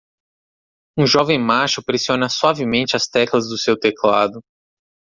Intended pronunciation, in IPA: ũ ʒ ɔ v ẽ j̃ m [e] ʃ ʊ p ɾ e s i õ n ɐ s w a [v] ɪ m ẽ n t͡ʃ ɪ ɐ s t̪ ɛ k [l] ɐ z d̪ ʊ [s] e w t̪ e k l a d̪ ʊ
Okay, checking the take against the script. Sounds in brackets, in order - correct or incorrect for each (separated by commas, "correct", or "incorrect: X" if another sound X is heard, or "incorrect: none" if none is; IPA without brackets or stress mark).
incorrect: a, correct, correct, correct